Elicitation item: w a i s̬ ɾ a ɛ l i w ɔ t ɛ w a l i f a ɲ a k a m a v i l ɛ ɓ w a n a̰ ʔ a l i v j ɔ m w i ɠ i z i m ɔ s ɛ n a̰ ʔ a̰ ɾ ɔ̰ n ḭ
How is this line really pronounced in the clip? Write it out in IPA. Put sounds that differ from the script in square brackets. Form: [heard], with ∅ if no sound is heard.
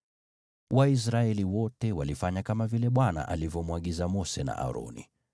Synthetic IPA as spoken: w a i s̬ ɾ a ɛ l i w ɔ t ɛ w a l i f a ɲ a k a m a v i l ɛ ɓ w a n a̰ ʔ a l i v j ɔ m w [a] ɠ i z [a] m ɔ s ɛ n a̰ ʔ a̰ ɾ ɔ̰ n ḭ